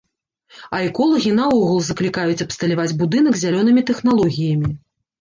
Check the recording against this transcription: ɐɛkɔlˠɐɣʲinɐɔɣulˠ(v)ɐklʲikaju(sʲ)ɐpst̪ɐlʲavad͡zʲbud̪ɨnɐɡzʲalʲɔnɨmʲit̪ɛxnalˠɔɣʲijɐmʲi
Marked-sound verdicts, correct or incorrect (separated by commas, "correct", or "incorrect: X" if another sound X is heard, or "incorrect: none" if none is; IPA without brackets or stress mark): incorrect: z, incorrect: t͡sʲ